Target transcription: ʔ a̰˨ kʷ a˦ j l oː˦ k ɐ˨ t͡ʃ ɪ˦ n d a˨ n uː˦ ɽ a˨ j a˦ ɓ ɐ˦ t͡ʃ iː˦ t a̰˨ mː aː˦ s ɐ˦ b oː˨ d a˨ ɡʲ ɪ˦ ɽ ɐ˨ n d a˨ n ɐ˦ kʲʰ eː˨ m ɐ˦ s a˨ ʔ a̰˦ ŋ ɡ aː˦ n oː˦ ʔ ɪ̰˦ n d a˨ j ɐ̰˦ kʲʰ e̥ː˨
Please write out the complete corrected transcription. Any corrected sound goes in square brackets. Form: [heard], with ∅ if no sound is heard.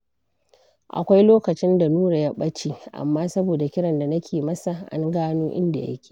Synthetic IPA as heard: ʔ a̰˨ kʷ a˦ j l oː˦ k ɐ˨ t͡ʃ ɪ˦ n d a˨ n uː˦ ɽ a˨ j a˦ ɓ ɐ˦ t͡ʃ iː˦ [ʔ] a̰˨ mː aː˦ s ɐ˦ b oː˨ d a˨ [kʲ] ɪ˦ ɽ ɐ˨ n d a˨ n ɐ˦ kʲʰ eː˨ m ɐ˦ s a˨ ʔ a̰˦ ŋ ɡ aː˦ n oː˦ ʔ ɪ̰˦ n d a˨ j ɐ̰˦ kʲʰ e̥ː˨